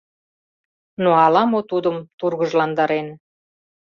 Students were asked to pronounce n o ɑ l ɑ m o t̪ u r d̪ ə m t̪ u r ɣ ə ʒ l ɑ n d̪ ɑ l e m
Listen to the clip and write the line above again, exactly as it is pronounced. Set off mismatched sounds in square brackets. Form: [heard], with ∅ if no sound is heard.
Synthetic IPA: n o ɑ l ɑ m o t̪ u [∅] d̪ ə m t̪ u r ɣ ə ʒ l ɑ n d̪ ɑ [ɾ] e [n]